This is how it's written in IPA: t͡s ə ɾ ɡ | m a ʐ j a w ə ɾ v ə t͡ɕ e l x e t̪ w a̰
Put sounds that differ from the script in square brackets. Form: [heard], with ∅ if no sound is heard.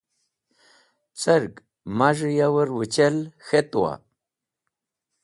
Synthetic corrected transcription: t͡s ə ɾ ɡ | m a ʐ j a w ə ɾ [w] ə t͡ɕ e l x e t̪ w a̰